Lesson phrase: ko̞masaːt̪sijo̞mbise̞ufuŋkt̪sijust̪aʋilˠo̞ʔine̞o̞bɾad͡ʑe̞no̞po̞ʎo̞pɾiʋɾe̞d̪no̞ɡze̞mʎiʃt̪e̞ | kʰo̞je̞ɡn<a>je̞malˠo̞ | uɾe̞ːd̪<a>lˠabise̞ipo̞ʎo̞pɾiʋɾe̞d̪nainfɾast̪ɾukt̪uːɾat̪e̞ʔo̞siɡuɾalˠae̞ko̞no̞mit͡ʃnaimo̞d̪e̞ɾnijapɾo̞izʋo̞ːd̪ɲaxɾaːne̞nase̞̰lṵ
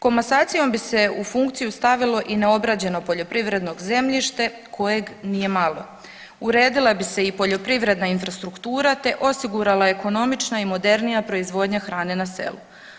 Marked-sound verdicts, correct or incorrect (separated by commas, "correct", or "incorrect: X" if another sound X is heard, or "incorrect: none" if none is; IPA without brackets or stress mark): incorrect: i, incorrect: i